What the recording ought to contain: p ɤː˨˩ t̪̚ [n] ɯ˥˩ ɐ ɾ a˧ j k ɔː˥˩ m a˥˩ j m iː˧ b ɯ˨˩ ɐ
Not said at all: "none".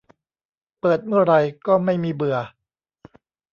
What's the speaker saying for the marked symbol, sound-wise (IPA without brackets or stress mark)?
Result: m